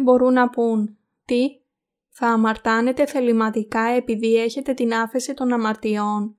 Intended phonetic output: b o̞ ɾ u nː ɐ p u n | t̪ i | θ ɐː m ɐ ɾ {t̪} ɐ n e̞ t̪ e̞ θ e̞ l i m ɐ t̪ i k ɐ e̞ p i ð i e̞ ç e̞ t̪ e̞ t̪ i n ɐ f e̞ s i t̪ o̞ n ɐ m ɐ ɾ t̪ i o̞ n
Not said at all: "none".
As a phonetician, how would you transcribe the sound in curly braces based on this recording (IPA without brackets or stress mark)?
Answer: t̪